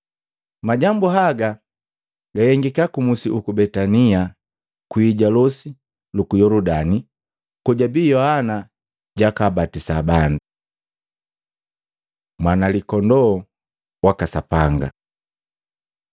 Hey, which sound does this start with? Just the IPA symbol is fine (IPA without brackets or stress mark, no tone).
m